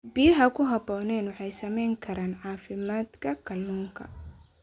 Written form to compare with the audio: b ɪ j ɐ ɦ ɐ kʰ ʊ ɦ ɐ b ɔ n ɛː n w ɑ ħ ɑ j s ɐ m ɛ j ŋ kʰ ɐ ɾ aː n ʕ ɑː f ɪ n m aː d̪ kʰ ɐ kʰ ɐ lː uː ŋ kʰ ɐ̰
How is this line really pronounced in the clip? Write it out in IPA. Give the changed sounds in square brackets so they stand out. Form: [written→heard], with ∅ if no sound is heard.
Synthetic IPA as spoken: b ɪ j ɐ ɦ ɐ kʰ ʊ ɦ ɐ b [ɔ→ɔː] n ɛː n w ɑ ħ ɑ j s ɐ m ɛ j ŋ kʰ ɐ ɾ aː n ʕ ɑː f ɪ [n→∅] m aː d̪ kʰ ɐ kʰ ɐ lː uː ŋ kʰ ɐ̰